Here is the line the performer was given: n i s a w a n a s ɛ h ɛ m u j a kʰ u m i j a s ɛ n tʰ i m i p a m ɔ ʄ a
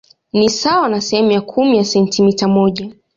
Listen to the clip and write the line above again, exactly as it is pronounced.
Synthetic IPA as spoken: n i s a w a n a s ɛ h ɛ m u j a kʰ u m i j a s ɛ n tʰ i m i t a m ɔ ʄ a